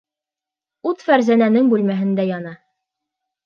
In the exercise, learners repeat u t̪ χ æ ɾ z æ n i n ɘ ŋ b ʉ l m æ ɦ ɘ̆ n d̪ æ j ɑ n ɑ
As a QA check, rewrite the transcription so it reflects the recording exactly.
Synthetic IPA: u t̪ f æ ɾ z æ n æ n ɘ ŋ b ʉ l m æ ɦ ɘ̆ n d̪ æ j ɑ n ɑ